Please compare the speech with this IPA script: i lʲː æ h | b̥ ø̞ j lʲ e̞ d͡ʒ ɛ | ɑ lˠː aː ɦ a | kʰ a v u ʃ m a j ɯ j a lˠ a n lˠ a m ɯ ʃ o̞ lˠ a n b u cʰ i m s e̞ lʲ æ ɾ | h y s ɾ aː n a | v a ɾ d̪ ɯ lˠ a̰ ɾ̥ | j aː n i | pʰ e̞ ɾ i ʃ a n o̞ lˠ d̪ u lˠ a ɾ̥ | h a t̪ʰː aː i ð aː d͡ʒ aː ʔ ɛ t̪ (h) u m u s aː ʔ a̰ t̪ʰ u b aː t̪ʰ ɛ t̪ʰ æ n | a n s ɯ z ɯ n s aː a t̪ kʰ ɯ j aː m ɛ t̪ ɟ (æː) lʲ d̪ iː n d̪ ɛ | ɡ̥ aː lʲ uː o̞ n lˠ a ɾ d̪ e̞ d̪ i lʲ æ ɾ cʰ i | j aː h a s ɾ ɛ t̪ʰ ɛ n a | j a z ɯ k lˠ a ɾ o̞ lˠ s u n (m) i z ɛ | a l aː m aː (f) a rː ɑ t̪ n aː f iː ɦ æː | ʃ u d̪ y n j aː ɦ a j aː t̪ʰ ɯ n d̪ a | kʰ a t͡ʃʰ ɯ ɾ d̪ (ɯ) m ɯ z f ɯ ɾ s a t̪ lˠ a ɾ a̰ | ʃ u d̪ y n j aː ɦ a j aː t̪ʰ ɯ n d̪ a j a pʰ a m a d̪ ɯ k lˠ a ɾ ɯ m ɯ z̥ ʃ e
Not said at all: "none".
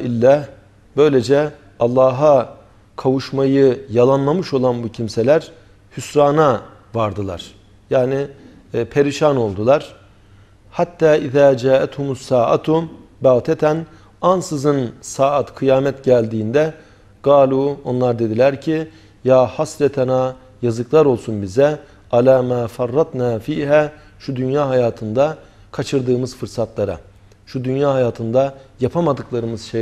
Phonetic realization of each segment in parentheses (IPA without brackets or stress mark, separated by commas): h, æ, b, f, ɯː